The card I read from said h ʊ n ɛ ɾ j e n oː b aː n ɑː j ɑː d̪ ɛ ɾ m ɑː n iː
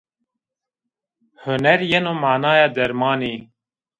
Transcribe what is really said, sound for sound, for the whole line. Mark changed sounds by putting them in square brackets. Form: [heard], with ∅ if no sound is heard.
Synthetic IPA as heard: h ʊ n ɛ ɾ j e n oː [m] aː n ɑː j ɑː d̪ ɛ ɾ m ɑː n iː